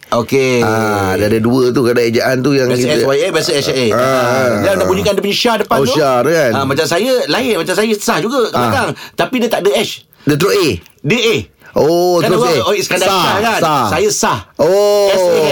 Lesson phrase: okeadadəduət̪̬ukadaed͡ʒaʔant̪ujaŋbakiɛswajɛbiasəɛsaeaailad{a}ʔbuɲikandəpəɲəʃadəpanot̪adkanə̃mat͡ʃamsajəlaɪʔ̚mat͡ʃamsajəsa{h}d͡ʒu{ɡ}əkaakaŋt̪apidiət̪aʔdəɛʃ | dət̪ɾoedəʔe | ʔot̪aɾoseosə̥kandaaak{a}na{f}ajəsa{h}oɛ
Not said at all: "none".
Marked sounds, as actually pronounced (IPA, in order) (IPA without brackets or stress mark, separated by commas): a, h, ɡ, a, s, h